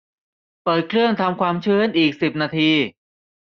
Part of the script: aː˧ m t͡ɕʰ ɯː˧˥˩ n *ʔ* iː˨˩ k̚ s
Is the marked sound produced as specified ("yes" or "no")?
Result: yes